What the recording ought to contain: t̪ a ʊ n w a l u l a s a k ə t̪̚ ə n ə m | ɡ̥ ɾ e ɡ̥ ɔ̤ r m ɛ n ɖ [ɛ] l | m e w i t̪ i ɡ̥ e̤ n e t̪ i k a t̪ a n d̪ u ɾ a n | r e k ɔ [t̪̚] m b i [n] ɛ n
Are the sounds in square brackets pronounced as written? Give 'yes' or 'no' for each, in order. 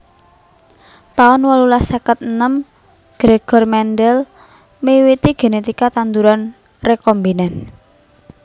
yes, no, yes

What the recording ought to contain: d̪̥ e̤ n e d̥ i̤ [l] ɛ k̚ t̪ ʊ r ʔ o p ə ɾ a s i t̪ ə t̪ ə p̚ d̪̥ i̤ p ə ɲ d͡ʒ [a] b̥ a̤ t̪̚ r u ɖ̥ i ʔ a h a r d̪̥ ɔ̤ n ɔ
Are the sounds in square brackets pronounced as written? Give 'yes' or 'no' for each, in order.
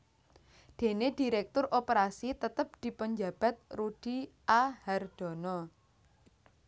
no, yes

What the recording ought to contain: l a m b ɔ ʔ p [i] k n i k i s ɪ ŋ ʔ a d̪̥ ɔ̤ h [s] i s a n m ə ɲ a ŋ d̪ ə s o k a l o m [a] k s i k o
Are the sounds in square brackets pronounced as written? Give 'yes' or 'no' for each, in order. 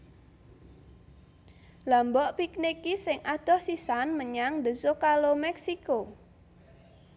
yes, yes, no

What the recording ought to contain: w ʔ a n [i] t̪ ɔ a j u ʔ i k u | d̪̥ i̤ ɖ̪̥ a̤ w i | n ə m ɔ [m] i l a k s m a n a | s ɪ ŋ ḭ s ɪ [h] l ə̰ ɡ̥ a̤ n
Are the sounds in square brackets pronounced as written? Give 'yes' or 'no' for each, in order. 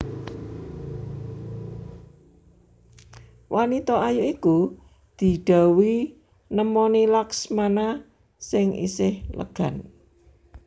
yes, no, yes

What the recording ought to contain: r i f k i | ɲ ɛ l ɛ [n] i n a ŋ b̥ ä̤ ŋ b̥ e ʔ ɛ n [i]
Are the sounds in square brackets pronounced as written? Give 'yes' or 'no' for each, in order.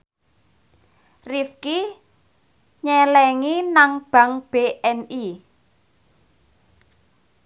no, yes

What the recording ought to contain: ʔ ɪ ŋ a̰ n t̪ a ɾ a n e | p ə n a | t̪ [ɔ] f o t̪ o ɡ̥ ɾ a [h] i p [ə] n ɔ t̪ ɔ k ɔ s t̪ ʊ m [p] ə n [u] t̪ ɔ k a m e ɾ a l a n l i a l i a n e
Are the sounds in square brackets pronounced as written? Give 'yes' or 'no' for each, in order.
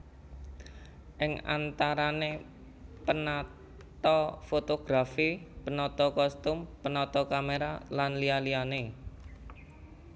yes, no, yes, yes, no

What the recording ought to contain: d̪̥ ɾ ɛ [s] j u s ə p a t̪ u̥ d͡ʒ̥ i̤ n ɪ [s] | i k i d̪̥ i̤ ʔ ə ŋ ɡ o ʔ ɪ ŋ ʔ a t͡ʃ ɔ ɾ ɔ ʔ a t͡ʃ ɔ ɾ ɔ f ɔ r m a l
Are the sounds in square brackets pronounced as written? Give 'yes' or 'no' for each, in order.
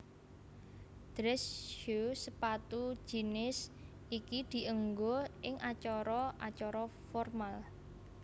yes, yes

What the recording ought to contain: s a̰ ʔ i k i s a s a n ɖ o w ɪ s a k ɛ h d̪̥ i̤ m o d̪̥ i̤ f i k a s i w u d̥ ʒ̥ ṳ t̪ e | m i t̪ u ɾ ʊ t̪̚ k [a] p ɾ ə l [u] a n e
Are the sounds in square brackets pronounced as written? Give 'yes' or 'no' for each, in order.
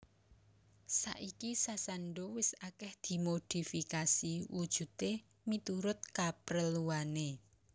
yes, yes

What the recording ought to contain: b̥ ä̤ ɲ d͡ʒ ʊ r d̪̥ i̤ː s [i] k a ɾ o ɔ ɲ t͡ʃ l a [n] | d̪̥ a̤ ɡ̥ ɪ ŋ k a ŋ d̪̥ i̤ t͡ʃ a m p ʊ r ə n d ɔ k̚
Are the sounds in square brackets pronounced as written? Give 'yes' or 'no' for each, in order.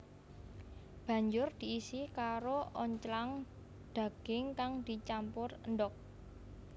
yes, no

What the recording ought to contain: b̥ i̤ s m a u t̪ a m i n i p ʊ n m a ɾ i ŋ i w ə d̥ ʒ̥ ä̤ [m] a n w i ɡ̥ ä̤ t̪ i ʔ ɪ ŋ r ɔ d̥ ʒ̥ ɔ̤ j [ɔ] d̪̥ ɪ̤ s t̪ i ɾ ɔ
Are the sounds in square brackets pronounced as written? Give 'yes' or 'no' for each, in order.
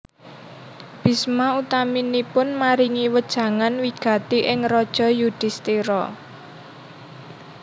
no, no

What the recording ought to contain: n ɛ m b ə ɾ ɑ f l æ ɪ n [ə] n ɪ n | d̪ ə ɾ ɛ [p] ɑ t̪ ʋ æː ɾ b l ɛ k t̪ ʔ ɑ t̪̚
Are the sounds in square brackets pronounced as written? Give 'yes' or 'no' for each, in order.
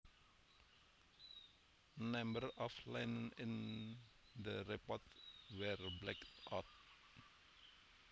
yes, yes

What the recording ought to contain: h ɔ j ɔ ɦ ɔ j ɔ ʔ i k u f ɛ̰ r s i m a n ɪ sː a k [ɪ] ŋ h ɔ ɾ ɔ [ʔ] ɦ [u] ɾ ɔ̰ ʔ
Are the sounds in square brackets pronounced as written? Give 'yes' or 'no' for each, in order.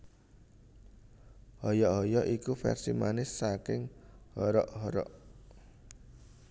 yes, yes, no

